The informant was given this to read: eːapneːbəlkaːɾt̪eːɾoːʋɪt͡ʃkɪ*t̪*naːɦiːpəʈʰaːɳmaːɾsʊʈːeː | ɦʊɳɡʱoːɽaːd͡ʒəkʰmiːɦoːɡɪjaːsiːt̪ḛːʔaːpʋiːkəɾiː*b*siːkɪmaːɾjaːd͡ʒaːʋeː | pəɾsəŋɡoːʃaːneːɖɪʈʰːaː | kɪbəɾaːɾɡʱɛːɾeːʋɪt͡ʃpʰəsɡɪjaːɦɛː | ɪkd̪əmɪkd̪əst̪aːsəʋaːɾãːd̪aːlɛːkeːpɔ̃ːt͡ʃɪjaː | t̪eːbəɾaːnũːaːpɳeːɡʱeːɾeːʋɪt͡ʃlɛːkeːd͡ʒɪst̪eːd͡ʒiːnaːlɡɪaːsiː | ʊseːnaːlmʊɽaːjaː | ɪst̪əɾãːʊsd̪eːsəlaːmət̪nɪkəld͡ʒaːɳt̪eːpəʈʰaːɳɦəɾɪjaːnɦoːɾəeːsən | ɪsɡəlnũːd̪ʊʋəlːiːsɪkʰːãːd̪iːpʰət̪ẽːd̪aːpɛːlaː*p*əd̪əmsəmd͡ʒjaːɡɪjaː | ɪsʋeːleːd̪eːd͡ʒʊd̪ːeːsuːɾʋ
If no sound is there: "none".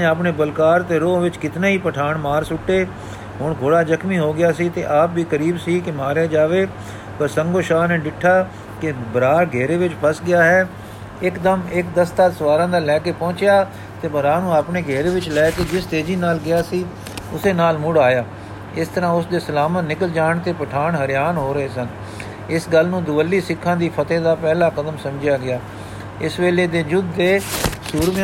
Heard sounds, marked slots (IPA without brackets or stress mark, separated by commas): t̪, b, k